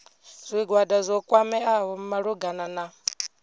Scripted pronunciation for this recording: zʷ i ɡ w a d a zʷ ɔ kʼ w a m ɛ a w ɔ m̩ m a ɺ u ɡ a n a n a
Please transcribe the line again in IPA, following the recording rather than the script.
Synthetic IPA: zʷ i ɡ w a d a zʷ ɔ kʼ w a m ɛ a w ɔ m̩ m a ɺ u ɡ a n a n a